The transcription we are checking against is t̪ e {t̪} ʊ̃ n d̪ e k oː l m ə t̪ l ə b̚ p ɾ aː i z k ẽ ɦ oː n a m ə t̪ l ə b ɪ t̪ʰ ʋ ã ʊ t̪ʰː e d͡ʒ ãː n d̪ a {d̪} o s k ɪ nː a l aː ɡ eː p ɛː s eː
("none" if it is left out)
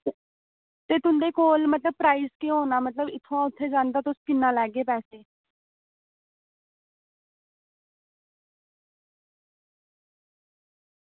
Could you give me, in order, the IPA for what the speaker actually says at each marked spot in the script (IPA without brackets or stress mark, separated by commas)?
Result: t̪, t̪